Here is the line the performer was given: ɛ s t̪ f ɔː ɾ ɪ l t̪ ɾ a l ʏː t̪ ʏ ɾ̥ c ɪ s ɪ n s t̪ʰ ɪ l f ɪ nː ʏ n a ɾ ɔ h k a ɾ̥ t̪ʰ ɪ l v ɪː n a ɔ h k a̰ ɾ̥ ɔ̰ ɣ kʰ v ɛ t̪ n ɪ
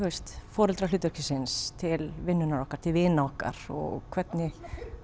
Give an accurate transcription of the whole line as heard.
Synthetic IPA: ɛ s t̪ f ɔː ɾ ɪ l t̪ ɾ a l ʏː t̪ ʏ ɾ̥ c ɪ s ɪ n s t̪ʰ ɪ l v ɪ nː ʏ n a ɾ ɔ h k a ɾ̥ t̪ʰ ɪ l v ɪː n a ɔ h k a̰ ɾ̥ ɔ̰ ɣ kʰ v ɛ t̪ n ɪ